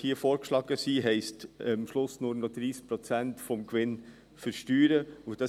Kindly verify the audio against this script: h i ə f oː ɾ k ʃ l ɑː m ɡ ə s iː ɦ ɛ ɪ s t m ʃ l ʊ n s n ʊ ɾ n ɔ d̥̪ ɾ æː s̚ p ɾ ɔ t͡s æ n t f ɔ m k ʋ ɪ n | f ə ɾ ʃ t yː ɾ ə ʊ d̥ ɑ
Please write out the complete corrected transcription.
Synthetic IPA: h i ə f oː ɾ k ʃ l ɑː ɡ ə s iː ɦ ɛ ɪ s t m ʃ l ʊ s n ʊ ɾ n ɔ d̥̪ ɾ iː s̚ p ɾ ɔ t͡s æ n t f ɔ m k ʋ ɪ n | f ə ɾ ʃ t yː ɾ ə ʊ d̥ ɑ